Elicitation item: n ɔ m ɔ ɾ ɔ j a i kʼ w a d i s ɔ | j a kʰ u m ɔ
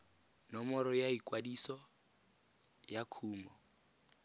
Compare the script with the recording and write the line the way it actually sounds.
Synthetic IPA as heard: n ɔ m ɔ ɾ ɔ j a i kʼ w a d i s ɔ | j a kʰ uː m ɔ